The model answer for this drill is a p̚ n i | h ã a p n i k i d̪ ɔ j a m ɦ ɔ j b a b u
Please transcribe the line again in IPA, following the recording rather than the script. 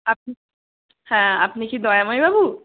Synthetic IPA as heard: a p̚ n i | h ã a p n i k i d̪ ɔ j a m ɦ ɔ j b a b u